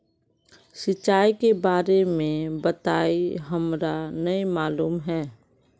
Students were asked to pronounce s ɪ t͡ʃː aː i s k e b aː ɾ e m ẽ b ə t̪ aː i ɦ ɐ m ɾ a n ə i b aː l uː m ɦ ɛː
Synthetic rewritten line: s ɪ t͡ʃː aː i k e b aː ɾ e m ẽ b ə t̪ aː i ɦ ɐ m ɾ a n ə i m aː l uː m ɦ ɛː